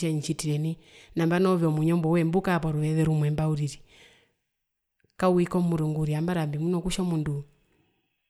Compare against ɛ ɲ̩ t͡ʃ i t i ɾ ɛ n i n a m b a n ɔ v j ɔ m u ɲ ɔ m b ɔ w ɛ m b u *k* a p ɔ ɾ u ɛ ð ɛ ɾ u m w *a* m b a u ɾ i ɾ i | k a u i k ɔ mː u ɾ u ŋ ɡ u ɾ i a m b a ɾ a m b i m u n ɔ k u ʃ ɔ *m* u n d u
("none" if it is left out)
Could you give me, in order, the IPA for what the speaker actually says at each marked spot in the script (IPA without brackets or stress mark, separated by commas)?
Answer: k, ɛ, m